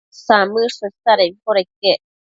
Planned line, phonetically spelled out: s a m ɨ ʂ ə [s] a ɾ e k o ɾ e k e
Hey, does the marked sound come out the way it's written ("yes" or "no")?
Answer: yes